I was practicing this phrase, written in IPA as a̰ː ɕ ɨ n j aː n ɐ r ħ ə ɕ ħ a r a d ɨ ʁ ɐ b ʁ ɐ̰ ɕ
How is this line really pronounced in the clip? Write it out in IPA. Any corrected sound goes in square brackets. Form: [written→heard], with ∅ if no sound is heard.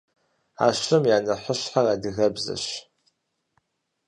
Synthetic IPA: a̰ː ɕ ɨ [n→m] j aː n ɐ [r→∅] ħ ə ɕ ħ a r a d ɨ [ʁ→ɣ] ɐ b [ʁ→z] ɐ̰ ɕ